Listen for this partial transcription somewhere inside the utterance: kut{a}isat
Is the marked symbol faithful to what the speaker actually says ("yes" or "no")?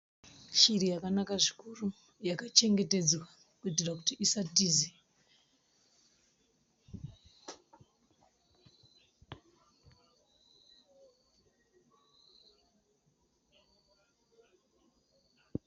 no